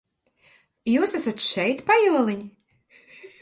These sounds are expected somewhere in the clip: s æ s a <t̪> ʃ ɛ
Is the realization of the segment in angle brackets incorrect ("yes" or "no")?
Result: no